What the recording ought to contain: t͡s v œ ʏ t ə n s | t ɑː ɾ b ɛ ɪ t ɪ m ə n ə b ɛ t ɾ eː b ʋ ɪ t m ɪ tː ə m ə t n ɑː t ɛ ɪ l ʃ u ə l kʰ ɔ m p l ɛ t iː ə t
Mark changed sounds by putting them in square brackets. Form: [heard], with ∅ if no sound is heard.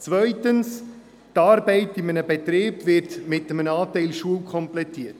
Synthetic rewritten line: t͡s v œ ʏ t ə n s | t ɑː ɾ b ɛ ɪ t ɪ m ə n ə b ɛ t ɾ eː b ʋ ɪ t m ɪ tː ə m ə [∅] n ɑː t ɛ ɪ l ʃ u ə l kʰ ɔ m p l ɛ t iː ə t